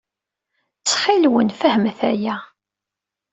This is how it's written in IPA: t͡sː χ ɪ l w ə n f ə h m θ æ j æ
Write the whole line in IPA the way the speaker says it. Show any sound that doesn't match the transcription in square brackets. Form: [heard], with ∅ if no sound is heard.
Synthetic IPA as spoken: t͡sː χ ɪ l w ə n f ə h m θ æ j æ

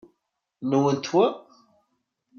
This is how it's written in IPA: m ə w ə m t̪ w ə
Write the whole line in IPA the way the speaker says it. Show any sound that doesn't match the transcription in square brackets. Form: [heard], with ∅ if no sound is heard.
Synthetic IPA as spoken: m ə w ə [n] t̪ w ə

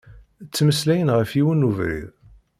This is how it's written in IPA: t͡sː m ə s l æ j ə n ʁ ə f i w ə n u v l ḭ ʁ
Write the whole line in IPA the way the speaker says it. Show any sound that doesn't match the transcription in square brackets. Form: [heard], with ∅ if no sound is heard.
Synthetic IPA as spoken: t͡sː m ə s l æ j ə n ʁ ə f i w ə n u v [ɾ] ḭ [ð]

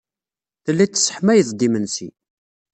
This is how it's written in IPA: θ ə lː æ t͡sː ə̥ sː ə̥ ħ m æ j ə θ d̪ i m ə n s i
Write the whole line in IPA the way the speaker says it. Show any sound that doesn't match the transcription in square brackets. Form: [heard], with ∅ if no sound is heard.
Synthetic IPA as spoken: θ ə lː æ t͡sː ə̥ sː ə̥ ħ m æ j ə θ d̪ i m ə n s i

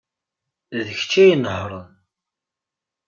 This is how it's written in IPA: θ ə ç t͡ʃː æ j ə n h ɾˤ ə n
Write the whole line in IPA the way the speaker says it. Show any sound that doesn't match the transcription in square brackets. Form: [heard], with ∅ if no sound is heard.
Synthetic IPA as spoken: [ð] ə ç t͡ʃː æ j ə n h ɾˤ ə n

